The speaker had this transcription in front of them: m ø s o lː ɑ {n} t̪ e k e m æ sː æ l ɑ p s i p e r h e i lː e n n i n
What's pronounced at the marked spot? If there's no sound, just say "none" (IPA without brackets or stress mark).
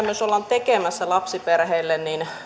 n